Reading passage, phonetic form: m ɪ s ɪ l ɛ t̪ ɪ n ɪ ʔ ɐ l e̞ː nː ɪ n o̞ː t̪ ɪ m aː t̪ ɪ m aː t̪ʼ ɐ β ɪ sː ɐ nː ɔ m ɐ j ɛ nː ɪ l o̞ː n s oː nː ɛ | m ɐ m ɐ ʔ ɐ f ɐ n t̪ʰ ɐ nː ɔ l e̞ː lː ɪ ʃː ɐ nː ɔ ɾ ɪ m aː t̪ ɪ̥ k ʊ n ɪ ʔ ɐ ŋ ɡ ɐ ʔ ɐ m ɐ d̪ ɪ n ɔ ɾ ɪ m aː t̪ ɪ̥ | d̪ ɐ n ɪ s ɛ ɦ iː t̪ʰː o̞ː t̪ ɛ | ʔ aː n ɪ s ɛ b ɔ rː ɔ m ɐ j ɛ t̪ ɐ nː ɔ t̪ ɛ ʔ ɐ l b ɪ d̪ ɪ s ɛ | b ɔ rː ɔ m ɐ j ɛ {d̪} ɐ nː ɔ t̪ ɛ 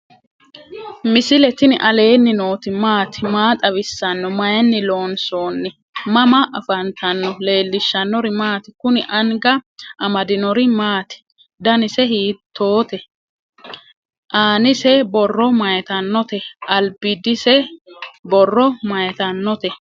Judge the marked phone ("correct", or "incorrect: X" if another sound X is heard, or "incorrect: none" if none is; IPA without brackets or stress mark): incorrect: t̪